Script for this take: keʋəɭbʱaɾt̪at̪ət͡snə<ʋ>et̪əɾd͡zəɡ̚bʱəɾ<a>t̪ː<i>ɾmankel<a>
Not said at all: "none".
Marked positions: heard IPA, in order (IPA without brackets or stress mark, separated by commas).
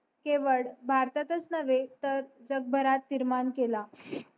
ʋ, a, i, a